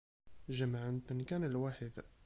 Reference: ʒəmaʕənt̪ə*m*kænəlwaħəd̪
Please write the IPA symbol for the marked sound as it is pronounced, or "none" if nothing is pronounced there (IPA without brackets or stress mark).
n